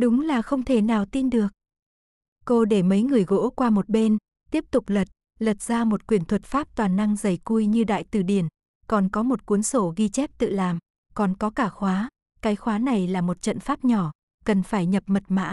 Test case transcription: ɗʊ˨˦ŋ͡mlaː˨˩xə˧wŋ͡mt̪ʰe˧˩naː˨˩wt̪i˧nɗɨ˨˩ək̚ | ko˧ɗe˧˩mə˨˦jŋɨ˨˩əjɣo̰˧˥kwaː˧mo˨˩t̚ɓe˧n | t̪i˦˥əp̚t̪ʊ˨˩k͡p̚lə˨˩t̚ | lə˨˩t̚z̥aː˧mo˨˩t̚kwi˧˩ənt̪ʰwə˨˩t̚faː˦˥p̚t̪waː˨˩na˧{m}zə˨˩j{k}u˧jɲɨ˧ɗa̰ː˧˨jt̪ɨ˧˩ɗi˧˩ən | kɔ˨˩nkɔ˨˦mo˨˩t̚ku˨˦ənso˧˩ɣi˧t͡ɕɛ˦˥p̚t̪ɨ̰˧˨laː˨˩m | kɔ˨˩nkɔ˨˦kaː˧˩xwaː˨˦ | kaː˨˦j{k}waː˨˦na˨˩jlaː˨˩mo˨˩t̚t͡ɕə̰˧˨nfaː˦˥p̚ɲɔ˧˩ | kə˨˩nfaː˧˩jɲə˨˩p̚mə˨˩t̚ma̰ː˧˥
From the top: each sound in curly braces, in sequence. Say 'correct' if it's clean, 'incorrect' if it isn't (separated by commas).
incorrect, correct, incorrect